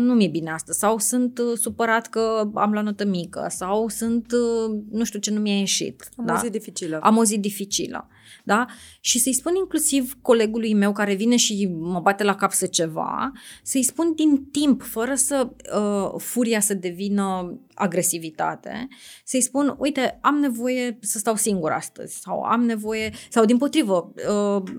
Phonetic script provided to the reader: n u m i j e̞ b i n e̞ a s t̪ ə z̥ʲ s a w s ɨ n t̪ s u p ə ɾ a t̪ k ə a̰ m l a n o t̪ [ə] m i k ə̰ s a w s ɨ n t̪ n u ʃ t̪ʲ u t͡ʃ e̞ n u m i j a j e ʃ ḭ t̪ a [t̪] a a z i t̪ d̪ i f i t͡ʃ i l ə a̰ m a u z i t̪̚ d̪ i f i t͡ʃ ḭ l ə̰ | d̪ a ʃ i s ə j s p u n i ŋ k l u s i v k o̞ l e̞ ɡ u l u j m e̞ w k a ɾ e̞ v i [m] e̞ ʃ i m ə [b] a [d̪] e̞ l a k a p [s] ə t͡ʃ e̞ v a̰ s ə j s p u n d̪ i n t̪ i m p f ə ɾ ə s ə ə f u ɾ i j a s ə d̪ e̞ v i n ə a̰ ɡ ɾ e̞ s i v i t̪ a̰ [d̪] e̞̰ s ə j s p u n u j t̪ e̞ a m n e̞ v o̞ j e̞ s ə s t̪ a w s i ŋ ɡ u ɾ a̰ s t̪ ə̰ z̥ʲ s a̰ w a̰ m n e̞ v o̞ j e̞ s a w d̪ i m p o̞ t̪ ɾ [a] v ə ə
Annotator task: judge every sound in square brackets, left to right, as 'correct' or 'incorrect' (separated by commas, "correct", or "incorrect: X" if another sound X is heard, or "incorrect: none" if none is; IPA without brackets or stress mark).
correct, incorrect: d̪, incorrect: n, correct, incorrect: t̪, correct, incorrect: t̪, incorrect: i